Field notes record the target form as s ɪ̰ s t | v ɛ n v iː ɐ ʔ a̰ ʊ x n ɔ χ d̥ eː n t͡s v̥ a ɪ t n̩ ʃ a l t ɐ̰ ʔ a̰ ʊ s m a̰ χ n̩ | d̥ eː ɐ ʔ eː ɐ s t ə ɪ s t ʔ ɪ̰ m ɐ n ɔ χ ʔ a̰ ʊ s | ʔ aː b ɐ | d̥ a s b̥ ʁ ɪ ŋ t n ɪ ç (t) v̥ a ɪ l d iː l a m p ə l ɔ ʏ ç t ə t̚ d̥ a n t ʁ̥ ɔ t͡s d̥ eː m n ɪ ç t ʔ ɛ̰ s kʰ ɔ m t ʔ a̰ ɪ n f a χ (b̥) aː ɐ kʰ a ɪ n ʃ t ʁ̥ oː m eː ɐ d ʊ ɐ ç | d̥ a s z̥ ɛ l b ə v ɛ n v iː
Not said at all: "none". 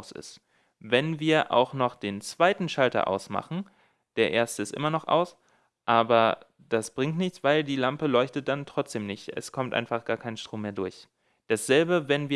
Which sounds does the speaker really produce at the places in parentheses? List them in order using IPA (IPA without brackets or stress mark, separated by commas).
t͡s, ɡ̥